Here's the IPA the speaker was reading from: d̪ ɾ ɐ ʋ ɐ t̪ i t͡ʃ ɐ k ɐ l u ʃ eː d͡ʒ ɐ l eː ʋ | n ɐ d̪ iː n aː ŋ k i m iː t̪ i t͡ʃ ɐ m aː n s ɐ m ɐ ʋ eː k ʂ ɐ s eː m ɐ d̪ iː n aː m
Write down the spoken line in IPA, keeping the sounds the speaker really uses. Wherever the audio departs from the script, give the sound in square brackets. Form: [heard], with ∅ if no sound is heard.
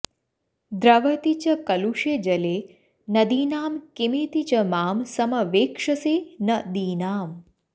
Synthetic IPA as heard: d̪ ɾ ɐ ʋ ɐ t̪ i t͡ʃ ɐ k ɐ l u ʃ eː d͡ʒ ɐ l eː [∅] | n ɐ d̪ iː n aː [m] k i m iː t̪ i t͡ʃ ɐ m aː [m] s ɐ m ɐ ʋ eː k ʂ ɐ s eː [n] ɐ d̪ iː n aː m